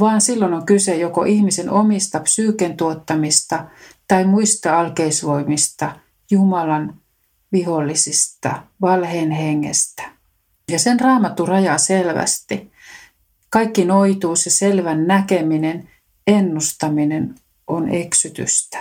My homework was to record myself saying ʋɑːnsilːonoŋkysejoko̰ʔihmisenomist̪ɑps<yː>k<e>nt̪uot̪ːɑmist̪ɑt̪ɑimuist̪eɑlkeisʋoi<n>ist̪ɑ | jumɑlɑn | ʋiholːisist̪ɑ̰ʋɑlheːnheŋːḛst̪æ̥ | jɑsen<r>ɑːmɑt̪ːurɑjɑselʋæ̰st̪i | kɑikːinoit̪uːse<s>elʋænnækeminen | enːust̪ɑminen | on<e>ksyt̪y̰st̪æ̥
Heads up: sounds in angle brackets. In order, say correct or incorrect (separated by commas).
correct, correct, incorrect, correct, correct, correct